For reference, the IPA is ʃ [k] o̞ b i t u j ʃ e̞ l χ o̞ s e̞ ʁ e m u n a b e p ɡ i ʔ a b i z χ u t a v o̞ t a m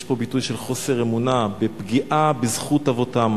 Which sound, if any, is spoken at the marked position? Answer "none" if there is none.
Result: p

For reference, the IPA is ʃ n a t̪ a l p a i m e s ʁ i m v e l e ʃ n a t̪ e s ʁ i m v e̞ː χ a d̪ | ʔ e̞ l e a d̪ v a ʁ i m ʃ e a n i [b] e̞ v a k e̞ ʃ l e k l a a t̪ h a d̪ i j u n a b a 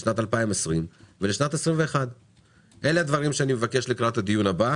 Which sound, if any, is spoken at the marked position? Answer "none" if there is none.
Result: m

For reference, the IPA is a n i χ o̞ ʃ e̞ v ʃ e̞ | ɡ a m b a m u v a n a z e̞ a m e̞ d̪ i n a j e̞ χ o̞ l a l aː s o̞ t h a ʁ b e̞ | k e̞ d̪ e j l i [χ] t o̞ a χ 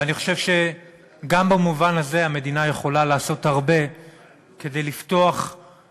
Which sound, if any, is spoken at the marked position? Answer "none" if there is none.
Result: f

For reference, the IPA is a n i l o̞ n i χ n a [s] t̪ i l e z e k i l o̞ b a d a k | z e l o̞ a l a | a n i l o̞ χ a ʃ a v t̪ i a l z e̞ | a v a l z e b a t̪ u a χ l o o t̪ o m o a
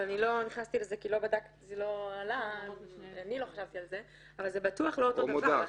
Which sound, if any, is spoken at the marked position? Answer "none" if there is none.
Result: s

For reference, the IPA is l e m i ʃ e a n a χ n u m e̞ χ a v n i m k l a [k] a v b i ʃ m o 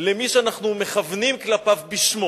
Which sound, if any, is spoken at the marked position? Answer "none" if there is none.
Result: p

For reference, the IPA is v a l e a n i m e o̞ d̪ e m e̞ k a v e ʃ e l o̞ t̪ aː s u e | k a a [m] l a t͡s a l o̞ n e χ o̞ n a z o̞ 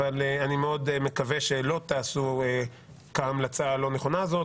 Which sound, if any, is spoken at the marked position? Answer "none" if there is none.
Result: m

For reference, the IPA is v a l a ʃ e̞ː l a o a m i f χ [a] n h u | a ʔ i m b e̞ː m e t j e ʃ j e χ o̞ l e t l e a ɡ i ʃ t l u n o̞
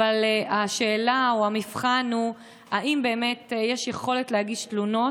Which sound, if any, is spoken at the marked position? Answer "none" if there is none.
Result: a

